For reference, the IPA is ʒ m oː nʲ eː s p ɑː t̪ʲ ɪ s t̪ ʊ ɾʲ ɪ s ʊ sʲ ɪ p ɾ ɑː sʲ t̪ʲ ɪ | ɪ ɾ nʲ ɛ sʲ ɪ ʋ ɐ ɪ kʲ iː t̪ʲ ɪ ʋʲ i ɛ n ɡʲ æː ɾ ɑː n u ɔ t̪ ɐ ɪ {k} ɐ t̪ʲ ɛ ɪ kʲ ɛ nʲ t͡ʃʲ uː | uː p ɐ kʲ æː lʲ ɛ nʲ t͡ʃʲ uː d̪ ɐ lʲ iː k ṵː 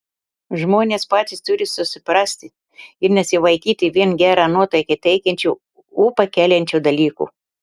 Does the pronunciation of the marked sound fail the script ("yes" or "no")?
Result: no